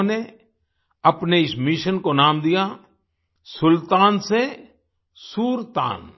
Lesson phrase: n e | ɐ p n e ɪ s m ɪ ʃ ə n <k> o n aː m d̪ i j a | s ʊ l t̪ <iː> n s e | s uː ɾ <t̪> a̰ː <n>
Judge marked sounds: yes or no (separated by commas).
yes, no, yes, yes